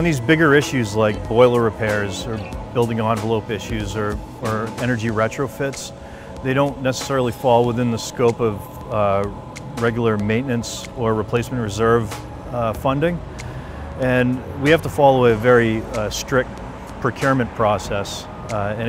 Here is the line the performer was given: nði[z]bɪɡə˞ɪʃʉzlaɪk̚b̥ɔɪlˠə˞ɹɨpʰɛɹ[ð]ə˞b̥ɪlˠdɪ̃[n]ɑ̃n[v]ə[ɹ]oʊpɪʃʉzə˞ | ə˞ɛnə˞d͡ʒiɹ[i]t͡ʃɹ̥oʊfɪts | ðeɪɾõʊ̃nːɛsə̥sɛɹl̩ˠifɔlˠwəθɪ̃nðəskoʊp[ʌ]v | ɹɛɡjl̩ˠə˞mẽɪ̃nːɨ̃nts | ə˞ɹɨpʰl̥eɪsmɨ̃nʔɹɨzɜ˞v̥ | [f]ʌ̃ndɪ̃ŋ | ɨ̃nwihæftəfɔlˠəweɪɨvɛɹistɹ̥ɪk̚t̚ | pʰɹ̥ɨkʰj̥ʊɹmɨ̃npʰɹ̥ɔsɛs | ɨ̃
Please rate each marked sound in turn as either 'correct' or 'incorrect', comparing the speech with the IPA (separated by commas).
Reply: correct, incorrect, incorrect, correct, incorrect, incorrect, correct, correct